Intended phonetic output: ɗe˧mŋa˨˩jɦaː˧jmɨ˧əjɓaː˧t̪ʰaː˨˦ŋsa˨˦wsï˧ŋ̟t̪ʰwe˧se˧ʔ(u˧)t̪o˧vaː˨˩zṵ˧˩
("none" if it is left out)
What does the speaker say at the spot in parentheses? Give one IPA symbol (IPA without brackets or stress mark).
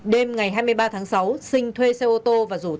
o˧